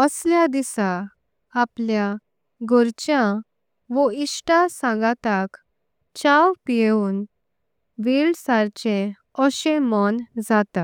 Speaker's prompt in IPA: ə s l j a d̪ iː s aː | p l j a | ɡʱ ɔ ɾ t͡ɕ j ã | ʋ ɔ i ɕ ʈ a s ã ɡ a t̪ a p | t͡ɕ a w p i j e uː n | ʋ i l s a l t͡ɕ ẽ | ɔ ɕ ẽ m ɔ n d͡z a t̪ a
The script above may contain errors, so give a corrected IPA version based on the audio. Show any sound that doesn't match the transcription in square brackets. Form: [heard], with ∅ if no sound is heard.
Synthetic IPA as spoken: ə s l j a d̪ [i] s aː | p l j a | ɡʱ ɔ ɾ t͡ɕ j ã | ʋ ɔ i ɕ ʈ a s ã ɡ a t̪ a [k] | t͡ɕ a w p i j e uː n | ʋ i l s a [ɾ] t͡ɕ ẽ | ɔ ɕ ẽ m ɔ n d͡z a t̪ a